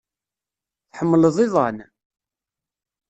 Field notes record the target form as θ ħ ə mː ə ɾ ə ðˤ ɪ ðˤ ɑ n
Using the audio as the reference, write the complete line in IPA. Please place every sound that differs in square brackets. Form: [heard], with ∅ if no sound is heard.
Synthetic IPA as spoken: θ ħ ə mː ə [l] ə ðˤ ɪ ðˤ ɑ n